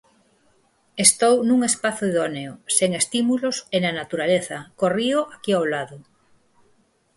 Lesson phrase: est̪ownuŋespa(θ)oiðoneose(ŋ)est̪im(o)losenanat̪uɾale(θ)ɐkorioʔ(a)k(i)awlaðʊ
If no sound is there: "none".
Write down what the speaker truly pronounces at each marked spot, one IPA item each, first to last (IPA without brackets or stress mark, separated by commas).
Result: θ, ŋ, u, θ, a, i